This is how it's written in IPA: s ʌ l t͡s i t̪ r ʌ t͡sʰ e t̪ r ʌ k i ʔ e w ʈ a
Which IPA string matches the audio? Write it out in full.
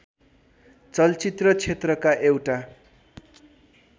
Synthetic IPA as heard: t͡s ʌ l t͡s i t̪ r ʌ t͡sʰ e t̪ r ʌ k a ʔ e w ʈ a